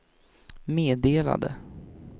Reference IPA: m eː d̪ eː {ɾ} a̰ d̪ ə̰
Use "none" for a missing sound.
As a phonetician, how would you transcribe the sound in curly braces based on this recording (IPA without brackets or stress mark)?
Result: l